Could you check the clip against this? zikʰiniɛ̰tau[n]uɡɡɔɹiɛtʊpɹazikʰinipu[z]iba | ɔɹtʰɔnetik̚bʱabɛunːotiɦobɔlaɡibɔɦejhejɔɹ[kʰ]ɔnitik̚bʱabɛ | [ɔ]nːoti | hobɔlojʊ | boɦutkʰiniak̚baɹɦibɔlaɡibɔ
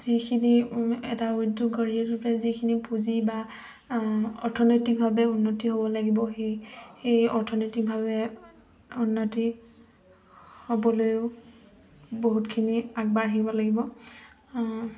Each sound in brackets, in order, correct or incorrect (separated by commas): incorrect, correct, incorrect, incorrect